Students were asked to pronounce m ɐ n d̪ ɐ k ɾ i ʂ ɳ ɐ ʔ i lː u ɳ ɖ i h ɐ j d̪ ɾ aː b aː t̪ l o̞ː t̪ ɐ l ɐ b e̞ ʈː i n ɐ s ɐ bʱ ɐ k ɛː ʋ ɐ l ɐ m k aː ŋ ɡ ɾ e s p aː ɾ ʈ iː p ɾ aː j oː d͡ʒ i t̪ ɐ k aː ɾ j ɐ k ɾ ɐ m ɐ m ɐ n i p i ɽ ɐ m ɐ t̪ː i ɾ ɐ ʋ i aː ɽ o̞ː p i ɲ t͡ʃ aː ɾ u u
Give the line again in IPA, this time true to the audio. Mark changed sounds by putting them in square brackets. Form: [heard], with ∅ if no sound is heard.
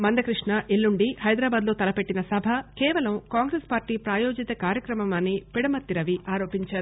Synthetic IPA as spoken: m ɐ n d̪ ɐ k ɾ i ʂ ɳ ɐ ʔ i lː u ɳ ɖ i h ɐ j d̪ ɾ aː b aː [d̪] l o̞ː t̪ ɐ l ɐ [p] e̞ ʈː i n ɐ s ɐ bʱ ɐ k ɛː ʋ ɐ l ɐ m k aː ŋ ɡ ɾ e s p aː ɾ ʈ iː p ɾ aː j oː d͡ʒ i t̪ ɐ k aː ɾ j ɐ k ɾ ɐ m ɐ m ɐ n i p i ɽ ɐ m ɐ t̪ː i ɾ ɐ ʋ i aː [ɾ] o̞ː p i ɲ t͡ʃ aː ɾ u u

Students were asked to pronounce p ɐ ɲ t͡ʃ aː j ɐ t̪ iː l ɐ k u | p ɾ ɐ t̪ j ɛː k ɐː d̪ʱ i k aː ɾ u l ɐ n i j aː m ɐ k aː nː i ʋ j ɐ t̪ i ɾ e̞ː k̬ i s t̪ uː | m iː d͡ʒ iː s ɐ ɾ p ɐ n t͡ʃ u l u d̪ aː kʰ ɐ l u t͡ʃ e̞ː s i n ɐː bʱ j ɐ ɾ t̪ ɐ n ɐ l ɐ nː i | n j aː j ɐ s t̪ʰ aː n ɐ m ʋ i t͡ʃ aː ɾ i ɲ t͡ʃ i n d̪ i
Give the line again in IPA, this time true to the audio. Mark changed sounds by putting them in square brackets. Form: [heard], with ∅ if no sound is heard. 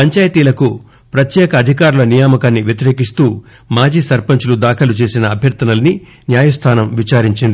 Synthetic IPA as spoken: p ɐ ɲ t͡ʃ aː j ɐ t̪ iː l ɐ k u | p ɾ ɐ t̪ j ɛː k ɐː d̪ʱ i k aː ɾ u l ɐ n i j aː m ɐ k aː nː i ʋ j ɐ t̪ i ɾ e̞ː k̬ i s t̪ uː | m [aː] d͡ʒ iː s ɐ ɾ p ɐ [ɲ] t͡ʃ u l u d̪ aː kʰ ɐ l u t͡ʃ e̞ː s i n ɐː bʱ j ɐ ɾ t̪ ɐ n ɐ l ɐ [n] i | n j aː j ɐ s t̪ʰ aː n ɐ m ʋ i t͡ʃ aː ɾ i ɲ t͡ʃ i n d̪ i

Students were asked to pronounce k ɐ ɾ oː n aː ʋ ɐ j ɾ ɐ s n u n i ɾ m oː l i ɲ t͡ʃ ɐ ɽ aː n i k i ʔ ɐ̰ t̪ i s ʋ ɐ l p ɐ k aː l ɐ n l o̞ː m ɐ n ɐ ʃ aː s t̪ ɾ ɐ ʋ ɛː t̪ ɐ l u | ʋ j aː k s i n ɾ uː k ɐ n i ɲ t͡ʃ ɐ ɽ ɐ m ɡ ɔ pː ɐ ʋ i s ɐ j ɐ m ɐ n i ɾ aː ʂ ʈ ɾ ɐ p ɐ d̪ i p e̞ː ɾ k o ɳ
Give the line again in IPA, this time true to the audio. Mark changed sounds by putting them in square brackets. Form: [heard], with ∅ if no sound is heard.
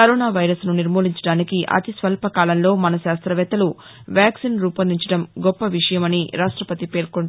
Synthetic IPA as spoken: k ɐ ɾ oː n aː ʋ ɐ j ɾ ɐ s n u n i ɾ m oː l i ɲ t͡ʃ ɐ ɽ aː n i k i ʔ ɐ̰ t̪ i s ʋ ɐ l p ɐ k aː l ɐ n l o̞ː m ɐ n ɐ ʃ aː s t̪ ɾ ɐ ʋ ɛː t̪ ɐ l u | ʋ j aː k s i n ɾ uː [p] ɐ n i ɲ t͡ʃ ɐ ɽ ɐ m ɡ ɔ pː ɐ ʋ i [ʂ] ɐ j ɐ m ɐ n i ɾ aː ʂ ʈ ɾ ɐ p ɐ [t̪] i p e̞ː ɾ k o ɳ

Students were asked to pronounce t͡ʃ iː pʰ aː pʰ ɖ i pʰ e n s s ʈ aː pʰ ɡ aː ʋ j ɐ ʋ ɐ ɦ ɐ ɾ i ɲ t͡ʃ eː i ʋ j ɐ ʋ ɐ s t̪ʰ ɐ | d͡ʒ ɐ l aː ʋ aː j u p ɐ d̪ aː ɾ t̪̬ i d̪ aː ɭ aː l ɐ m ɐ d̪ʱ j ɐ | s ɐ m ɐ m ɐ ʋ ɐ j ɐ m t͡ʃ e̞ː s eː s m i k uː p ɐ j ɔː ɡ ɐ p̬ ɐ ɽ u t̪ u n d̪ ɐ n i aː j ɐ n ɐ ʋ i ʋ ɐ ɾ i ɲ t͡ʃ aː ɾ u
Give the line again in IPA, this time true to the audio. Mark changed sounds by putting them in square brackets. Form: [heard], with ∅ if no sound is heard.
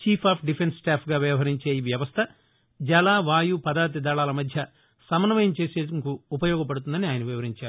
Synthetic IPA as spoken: t͡ʃ iː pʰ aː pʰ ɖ i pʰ e n s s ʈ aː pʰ ɡ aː ʋ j ɐ ʋ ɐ ɦ ɐ ɾ i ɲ t͡ʃ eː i ʋ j ɐ ʋ ɐ s t̪ʰ ɐ | d͡ʒ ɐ l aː ʋ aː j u p ɐ d̪ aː ɾ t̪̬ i d̪ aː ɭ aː l ɐ m ɐ d̪ʱ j ɐ | s ɐ m ɐ [n] ɐ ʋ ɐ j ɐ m t͡ʃ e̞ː s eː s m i k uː p ɐ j ɔː ɡ ɐ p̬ ɐ ɽ u t̪ u n d̪ ɐ n i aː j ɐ n ɐ ʋ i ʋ ɐ ɾ i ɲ t͡ʃ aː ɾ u

